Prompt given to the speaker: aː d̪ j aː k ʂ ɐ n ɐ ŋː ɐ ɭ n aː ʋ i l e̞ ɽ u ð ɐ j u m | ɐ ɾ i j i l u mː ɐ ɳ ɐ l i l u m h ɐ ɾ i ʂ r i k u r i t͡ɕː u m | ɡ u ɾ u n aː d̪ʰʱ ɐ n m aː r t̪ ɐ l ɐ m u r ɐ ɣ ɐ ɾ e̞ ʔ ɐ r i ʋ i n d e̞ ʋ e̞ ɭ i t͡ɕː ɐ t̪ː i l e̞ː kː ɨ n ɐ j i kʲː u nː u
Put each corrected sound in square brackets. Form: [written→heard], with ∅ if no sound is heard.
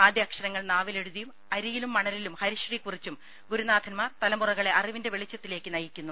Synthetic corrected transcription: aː d̪ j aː k ʂ ɐ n ɐ ŋː ɐ ɭ n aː ʋ i l e̞ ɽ u ð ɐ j u m | ɐ ɾ i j i l u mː ɐ ɳ ɐ l i l u m h ɐ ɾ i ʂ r i k u r i t͡ɕː u m | ɡ u ɾ u n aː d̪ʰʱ ɐ n m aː r t̪ ɐ l ɐ m u r ɐ ɣ ɐ [ɾ→ɭ] e̞ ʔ ɐ r i ʋ i n d e̞ ʋ e̞ ɭ i t͡ɕː ɐ t̪ː i l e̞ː kː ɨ n ɐ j i kʲː u nː u